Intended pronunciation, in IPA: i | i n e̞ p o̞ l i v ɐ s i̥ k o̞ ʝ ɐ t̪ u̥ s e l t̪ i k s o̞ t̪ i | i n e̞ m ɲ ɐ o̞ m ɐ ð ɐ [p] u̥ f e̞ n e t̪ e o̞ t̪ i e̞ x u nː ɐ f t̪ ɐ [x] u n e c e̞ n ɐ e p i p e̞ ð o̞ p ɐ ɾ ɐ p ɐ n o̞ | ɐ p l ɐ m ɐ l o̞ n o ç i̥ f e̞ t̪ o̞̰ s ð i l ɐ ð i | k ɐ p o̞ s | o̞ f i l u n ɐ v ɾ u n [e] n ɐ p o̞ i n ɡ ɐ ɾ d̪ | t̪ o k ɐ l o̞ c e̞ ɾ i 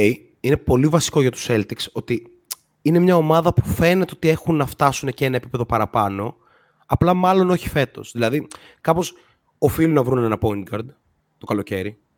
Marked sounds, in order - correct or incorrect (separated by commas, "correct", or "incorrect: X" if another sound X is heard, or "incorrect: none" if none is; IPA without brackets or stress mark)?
correct, incorrect: s, correct